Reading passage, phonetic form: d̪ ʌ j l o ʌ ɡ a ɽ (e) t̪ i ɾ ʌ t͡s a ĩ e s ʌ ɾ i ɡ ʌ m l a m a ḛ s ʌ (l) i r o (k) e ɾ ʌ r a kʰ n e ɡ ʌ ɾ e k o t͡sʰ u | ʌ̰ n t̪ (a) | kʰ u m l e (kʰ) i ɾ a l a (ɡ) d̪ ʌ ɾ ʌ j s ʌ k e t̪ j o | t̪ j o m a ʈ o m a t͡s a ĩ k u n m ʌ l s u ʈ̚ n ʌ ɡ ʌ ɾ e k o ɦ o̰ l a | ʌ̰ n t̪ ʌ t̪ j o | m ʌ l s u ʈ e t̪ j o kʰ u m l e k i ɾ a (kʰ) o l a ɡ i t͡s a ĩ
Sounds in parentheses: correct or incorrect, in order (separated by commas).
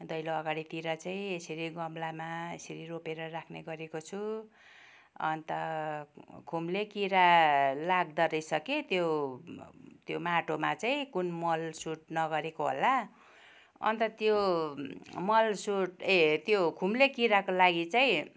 incorrect, incorrect, incorrect, incorrect, incorrect, correct, incorrect